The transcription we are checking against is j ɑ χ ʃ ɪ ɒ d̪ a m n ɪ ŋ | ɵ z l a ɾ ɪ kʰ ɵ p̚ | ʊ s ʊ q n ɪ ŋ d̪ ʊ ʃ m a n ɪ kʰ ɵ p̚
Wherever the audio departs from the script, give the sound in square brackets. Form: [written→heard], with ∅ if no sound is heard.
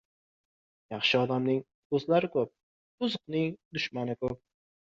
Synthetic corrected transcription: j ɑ χ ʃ ɪ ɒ d̪ a m n ɪ ŋ | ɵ z l a ɾ ɪ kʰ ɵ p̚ | ʊ [s→z] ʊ q n ɪ ŋ d̪ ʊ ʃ m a n ɪ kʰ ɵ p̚